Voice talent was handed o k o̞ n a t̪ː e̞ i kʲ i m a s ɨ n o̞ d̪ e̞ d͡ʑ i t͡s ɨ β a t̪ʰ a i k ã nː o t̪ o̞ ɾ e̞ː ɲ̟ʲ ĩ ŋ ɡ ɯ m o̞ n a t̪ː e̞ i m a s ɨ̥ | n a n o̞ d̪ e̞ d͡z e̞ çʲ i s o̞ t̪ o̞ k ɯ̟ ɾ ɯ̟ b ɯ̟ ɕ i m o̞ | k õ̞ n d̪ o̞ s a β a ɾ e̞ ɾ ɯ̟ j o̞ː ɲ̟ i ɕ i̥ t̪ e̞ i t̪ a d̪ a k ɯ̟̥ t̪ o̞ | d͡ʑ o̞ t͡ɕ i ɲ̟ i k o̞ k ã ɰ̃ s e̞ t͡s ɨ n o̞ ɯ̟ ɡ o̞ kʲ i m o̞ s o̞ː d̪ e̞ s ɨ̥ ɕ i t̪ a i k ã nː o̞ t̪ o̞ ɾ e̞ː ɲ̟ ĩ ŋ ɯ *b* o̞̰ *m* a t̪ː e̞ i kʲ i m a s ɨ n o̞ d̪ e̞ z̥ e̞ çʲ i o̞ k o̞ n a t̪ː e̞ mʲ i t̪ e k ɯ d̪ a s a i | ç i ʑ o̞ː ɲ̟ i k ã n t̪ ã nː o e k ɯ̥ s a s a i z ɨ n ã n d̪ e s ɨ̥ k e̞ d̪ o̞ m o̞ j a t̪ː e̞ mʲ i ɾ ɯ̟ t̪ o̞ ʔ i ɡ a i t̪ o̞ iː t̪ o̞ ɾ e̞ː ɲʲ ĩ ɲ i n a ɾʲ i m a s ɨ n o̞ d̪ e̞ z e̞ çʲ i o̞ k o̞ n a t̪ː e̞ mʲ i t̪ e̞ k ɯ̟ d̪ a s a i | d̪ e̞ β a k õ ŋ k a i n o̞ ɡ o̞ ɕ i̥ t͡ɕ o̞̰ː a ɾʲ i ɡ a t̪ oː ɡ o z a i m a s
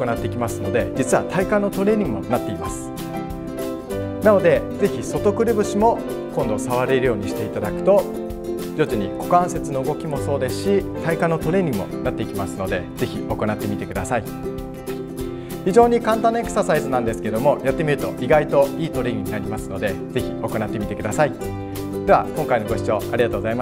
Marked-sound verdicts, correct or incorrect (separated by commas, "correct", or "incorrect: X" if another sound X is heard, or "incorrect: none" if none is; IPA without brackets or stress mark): incorrect: m, incorrect: n